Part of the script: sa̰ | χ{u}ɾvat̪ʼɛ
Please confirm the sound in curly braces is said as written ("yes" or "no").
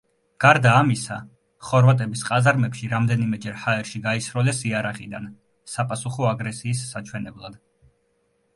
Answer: no